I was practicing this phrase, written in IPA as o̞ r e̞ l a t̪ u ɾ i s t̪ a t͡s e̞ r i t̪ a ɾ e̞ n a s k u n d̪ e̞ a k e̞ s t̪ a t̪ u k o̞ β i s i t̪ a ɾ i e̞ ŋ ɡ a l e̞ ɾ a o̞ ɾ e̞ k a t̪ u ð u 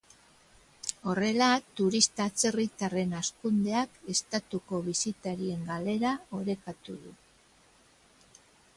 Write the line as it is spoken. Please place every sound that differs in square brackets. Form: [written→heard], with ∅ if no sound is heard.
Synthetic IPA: o̞ r e̞ l a t̪ u ɾ i s t̪ a t͡s e̞ r i t̪ a [ɾ→r] e̞ n a s k u n d̪ e̞ a k e̞ s t̪ a t̪ u k o̞ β i s i t̪ a ɾ i e̞ ŋ ɡ a l e̞ ɾ a o̞ ɾ e̞ k a t̪ u ð u